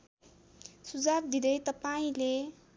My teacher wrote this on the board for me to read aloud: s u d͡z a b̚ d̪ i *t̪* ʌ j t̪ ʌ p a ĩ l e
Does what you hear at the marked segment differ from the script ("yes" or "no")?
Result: yes